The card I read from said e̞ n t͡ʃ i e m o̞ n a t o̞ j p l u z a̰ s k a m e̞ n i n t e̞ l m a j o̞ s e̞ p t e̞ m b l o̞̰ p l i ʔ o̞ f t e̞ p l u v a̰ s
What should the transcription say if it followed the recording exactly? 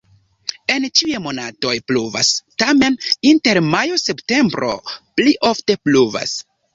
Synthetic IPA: e̞ n t͡ʃ i e m o̞ n a t o̞ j p l u v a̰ s t a m e̞ n i n t e̞ ɾ m a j o̞ s e̞ p t e̞ m b ɾ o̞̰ p l i ʔ o̞ f t e̞ p l u v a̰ s

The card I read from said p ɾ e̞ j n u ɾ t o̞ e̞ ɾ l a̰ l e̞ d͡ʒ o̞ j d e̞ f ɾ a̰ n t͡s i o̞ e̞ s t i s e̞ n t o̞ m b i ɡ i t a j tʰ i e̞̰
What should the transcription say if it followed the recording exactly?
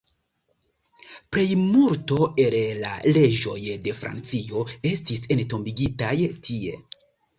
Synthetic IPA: p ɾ e̞ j m u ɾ t o̞ e̞ l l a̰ l e̞ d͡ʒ o̞ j d e̞ f ɾ a̰ n t͡s i o̞ e̞ s t i s e̞ n t o̞ m b i ɡ i t a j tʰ i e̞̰

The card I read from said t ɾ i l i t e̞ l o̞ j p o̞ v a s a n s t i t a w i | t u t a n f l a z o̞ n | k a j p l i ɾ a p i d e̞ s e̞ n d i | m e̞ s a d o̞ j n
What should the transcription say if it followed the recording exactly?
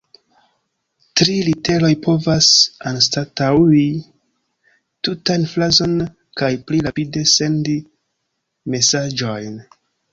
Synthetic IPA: t ɾ i l i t e̞ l o̞ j p o̞ v a s a n s t a t a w i | t u t a n f l a z o̞ n | k a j p l i ɾ a p i d e̞ s e̞ n d i | m e̞ s a d͡ʒ o̞ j n

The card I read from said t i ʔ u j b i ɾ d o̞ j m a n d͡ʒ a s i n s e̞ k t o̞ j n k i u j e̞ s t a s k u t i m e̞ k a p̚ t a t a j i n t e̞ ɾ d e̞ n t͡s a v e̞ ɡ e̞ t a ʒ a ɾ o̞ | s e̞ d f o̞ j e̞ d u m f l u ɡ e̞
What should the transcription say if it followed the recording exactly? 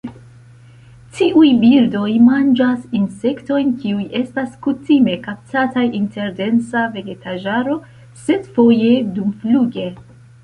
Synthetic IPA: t i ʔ u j b i ɾ d o̞ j m a n d͡ʒ a s i n s e̞ k t o̞ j n k i u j e̞ s t a s k u t i m e̞ k a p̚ t a t a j i n t e̞ ɾ d e̞ n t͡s a v e̞ ɡ e̞ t a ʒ a ɾ o̞ | s e̞ d f o̞ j e̞ d u m f l u ɡ e̞

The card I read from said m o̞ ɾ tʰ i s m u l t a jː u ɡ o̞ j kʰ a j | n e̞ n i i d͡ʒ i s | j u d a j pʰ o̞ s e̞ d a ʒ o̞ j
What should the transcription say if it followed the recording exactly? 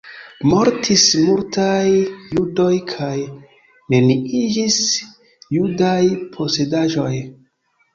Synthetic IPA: m o̞ ɾ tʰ i s m u l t a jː u d o̞ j kʰ a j | n e̞ n i i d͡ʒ i s | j u d a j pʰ o̞ s e̞ d a ʒ o̞ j

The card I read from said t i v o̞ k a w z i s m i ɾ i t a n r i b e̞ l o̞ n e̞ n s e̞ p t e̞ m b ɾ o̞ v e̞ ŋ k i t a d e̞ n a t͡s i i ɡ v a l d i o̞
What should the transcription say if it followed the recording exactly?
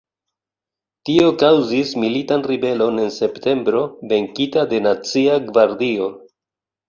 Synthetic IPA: t i o̞ k a w z i s m i l i t a n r i b e̞ l o̞ n e̞ n s e̞ p t e̞ m b ɾ o̞ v e̞ ŋ k i t a d e̞ n a t͡s i a ɡ v a ɾ d i o̞

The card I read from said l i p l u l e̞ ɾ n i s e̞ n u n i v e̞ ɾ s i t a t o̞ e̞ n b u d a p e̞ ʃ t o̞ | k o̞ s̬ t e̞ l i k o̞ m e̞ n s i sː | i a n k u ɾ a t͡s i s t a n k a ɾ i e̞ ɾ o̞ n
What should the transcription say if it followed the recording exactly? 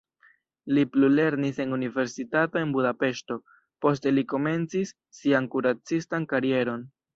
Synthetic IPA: l i p l u l e̞ ɾ n i s e̞ n u n i v e̞ ɾ s i t a t o̞ e̞ n b u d a p e̞ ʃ t o̞ | p o̞ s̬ t e̞ l i k o̞ m e̞ n t͡s i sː | i a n k u ɾ a t͡s i s t a n k a ɾ i e̞ ɾ o̞ n

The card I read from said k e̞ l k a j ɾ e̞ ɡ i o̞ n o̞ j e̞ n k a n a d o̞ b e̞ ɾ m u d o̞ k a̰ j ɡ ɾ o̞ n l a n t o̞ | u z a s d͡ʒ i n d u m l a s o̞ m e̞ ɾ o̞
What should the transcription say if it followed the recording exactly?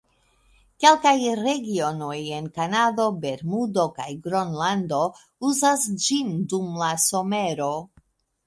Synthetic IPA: k e̞ l k a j ɾ e̞ ɡ i o̞ n o̞ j e̞ n k a n a d o̞ b e̞ ɾ m u d o̞ k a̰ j ɡ ɾ o̞ n l a n d o̞ | u z a s d͡ʒ i n d u m l a s o̞ m e̞ ɾ o̞

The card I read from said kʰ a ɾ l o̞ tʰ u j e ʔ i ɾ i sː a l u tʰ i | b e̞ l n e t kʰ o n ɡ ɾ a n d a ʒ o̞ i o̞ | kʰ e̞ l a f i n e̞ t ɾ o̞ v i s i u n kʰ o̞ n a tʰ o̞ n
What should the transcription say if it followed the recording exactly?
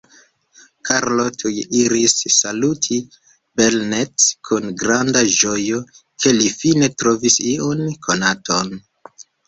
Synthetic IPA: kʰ a ɾ l o̞ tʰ u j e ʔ i ɾ i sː a l u tʰ i | b e̞ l n e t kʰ u n ɡ ɾ a n d a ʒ o̞ j o̞ | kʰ e̞ l i f i n e̞ t ɾ o̞ v i s i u n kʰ o̞ n a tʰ o̞ n

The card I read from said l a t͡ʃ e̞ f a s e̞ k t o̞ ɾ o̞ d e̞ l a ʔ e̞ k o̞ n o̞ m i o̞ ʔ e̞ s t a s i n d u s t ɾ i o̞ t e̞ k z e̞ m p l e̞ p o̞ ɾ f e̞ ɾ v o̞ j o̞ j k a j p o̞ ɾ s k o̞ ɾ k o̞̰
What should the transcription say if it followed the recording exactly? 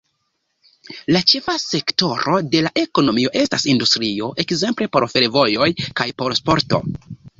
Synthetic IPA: l a t͡ʃ e̞ f a s e̞ k t o̞ ɾ o̞ d e̞ l a ʔ e̞ k o̞ n o̞ m i o̞ ʔ e̞ s t a s i n d u s t ɾ i o̞ ʔ e̞ k z e̞ m p l e̞ p o̞ ɾ f e̞ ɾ v o̞ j o̞ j k a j p o̞ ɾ s p o̞ ɾ t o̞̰

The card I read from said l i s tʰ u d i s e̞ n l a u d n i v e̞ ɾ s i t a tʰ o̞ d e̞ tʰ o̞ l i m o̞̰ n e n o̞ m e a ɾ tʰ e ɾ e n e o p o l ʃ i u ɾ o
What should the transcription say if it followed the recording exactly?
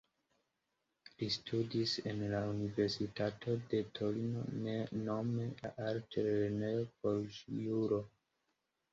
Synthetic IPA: l i s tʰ u d i s e̞ n l a u n i v e̞ ɾ s i t a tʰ o̞ d e̞ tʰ o̞ l i n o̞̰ n e n o̞ m e a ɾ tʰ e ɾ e n e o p o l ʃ j u ɾ o

